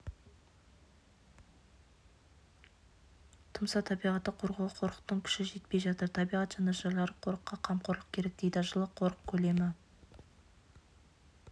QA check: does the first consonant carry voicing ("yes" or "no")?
no